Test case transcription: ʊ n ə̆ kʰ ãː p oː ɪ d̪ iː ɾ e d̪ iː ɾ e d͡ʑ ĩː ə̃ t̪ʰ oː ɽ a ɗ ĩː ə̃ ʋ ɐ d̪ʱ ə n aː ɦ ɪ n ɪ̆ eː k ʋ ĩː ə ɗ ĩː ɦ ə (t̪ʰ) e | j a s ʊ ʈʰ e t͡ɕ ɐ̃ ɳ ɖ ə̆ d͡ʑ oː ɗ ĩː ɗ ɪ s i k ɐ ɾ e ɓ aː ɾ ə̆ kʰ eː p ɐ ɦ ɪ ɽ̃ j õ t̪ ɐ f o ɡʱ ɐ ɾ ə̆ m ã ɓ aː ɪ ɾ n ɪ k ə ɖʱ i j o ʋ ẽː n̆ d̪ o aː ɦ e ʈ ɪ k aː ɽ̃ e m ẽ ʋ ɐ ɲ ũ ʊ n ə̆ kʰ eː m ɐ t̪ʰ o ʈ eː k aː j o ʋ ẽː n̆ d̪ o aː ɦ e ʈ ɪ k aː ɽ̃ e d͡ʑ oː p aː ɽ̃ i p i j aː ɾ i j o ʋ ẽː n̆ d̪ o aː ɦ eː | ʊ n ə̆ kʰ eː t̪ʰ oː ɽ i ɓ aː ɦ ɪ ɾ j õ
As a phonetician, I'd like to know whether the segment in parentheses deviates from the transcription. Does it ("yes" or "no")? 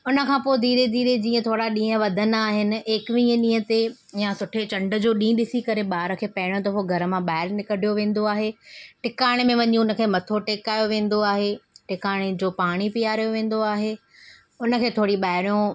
yes